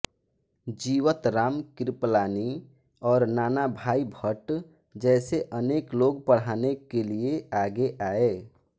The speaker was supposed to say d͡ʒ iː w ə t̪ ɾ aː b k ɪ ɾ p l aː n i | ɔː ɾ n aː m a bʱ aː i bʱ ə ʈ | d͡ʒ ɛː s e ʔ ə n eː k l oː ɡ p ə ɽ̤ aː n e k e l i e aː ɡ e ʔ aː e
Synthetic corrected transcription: d͡ʒ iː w ə t̪ ɾ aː m k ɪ ɾ p l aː n i | ɔː ɾ n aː n a bʱ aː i bʱ ə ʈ | d͡ʒ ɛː s e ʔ ə n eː k l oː ɡ p ə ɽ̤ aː n e k e l i e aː ɡ e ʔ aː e

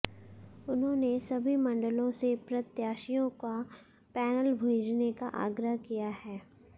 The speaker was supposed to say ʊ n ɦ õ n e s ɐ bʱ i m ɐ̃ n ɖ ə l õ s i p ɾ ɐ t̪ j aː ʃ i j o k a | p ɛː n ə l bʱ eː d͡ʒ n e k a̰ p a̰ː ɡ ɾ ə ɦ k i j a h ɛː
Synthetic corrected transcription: ʊ n ɦ õ n e s ɐ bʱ i m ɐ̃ ɳ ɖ ə l õ s e p ɾ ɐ t̪ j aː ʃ i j õ k a | p ɛː n ə l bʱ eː d͡ʒ n e k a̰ ʔ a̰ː ɡ ɾ ə ɦ k i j a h ɛː

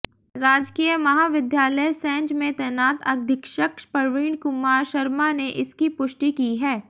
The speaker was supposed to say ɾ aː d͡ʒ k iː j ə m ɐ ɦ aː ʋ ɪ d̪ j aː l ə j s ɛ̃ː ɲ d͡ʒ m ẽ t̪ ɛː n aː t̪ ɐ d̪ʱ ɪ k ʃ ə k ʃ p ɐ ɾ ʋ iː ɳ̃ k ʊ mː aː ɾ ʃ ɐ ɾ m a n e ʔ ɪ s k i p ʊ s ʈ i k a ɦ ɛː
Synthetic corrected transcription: ɾ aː d͡ʒ k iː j ə m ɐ ɦ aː ʋ ɪ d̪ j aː l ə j s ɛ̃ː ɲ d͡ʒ m ẽ t̪ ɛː n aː t̪ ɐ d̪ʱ ɪ k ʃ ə k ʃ p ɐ ɾ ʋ iː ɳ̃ k ʊ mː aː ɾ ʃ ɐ ɾ m a n e ʔ ɪ s k i p ʊ ʃ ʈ i k i ɦ ɛː

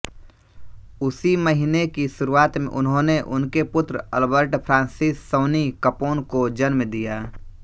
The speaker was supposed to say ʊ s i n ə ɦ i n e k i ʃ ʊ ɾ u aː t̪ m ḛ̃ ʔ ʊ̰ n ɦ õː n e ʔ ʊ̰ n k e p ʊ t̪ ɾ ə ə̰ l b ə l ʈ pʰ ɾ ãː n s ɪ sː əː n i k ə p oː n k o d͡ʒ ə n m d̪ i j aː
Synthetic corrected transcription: ʊ s i m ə ɦ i n e k i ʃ ʊ ɾ u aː t̪ m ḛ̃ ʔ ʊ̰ n ɦ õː n e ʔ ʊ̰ n k e p ʊ t̪ ɾ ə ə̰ l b ə ɾ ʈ pʰ ɾ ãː n s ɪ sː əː n i k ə p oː n k o d͡ʒ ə n m d̪ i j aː

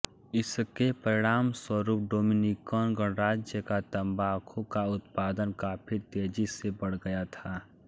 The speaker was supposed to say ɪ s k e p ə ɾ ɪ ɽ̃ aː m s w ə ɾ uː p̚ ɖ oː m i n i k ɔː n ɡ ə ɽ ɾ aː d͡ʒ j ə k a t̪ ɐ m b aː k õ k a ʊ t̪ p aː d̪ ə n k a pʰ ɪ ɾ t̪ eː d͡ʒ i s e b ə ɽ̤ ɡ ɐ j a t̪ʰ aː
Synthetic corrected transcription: ɪ s k e p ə ɾ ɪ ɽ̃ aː m s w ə ɾ uː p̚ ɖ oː m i n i k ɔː n ɡ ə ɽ ɾ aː d͡ʒ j ə k a t̪ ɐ m b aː kʰ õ k a ʊ t̪ p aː d̪ ə n k a pʰ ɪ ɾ t̪ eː d͡ʒ i s e b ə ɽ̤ ɡ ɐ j a t̪ʰ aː

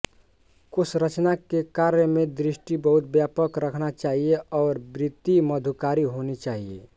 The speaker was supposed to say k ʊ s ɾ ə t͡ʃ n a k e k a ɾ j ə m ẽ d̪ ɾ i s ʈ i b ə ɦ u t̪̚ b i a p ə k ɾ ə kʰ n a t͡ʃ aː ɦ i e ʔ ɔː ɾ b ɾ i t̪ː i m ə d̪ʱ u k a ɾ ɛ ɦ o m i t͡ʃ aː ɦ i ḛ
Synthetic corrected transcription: k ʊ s ɾ ə t͡ʃ n a k e k a ɾ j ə m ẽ d̪ ɾ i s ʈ i b ə ɦ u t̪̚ b j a p ə k ɾ ə kʰ n a t͡ʃ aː ɦ i e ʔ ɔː ɾ b ɾ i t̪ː i m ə d̪ʱ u k a ɾ i ɦ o n i t͡ʃ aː ɦ i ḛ

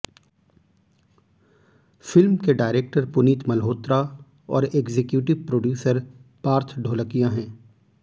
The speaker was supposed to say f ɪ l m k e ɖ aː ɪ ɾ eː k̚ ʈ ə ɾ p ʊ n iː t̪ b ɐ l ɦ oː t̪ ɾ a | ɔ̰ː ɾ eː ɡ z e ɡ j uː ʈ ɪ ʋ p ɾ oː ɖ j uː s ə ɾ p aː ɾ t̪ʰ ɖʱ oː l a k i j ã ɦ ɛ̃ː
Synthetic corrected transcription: f ɪ l m k e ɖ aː ɪ ɾ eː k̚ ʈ ə ɾ p ʊ n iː t̪ m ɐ l ɦ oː t̪ ɾ a | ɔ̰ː ɾ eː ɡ z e k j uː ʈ ɪ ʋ p ɾ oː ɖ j uː s ə ɾ p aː ɾ t̪ʰ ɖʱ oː l ə k i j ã ɦ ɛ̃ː

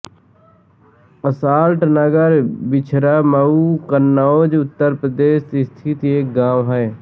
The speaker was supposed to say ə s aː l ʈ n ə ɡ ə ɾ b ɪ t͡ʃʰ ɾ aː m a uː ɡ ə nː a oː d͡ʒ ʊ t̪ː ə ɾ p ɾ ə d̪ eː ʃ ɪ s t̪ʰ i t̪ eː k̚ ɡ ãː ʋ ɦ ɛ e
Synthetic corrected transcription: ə s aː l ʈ n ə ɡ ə ɾ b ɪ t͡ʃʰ ɾ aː m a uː k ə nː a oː d͡ʒ ʊ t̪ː ə ɾ p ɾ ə d̪ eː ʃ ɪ s t̪ʰ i t̪ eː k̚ ɡ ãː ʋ ɦ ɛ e

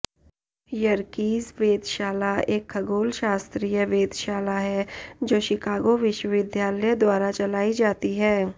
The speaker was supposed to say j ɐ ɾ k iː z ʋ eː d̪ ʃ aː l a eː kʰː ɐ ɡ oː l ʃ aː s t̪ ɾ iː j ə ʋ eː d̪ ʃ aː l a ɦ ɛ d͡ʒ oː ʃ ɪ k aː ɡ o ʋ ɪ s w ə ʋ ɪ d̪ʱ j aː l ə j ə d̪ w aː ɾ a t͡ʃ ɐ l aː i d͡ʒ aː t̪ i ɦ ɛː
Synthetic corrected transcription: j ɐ ɾ k iː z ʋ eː d̪ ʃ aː l a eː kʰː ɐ ɡ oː l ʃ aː s t̪ ɾ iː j ə ʋ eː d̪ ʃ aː l a ɦ ɛ d͡ʒ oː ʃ ɪ k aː ɡ o ʋ ɪ ʃ w ə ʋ ɪ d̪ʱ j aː l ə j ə d̪ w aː ɾ a t͡ʃ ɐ l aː i d͡ʒ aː t̪ i ɦ ɛː

